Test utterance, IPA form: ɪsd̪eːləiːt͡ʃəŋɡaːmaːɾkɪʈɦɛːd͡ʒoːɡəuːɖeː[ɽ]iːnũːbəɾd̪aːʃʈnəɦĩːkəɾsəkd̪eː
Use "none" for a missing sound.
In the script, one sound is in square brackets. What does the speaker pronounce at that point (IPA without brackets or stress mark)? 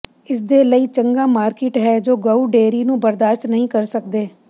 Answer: ɾ